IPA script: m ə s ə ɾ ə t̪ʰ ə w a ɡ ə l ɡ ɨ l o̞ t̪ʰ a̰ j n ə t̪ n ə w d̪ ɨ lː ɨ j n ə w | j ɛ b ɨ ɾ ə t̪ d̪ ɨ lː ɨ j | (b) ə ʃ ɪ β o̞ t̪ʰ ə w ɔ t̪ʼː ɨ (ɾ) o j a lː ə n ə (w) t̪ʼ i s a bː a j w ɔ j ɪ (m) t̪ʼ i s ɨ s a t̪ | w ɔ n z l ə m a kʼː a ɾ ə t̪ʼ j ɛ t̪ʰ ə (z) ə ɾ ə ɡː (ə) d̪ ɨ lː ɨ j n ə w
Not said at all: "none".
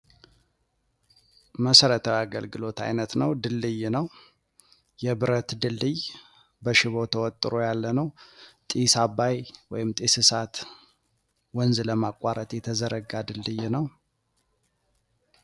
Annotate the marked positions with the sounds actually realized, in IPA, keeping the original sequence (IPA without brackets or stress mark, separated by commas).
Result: b, ɾ, w, m, z, a